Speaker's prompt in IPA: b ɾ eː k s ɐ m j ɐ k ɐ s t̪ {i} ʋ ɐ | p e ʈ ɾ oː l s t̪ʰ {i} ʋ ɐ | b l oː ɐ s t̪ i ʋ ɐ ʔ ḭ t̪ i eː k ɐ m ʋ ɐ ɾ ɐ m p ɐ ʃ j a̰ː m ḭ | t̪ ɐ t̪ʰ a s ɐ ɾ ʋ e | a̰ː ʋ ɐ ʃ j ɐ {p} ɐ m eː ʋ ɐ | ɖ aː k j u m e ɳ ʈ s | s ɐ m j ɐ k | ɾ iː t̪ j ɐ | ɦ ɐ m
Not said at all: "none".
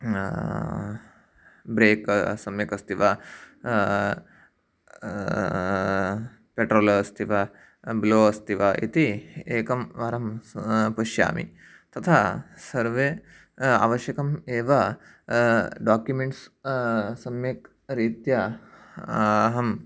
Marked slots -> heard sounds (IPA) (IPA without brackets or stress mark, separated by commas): i, i, k